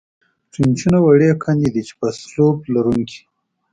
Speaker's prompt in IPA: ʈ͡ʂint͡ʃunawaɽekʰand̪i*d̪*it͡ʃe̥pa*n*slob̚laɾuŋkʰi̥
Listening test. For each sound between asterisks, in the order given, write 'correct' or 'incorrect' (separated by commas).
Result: correct, incorrect